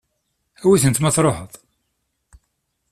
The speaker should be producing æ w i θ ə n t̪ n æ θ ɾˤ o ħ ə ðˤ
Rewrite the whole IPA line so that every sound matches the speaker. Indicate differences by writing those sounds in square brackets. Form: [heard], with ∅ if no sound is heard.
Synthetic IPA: æ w i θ ə n t̪ [m] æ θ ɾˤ o ħ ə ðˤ